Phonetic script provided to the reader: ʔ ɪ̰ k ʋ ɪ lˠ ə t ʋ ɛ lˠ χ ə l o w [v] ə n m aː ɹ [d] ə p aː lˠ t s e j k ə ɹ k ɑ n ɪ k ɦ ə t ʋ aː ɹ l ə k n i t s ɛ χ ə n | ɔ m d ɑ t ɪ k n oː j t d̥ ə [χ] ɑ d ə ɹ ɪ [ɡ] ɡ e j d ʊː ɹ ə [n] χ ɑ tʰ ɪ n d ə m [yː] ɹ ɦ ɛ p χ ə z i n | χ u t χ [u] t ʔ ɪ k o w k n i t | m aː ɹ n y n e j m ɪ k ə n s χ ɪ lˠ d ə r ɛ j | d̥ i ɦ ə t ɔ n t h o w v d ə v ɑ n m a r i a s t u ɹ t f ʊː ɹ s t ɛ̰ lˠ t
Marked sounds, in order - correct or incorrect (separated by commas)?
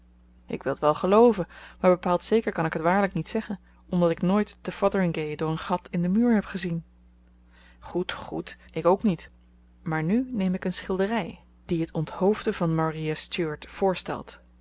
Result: correct, incorrect, incorrect, incorrect, correct, correct, correct